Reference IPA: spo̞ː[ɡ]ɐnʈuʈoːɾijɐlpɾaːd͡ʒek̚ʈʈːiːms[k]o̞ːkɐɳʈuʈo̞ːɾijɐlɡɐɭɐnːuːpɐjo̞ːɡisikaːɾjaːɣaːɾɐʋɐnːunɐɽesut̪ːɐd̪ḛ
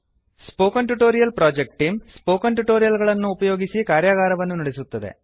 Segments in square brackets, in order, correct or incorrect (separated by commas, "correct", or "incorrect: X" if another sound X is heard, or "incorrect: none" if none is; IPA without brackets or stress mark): incorrect: k, incorrect: p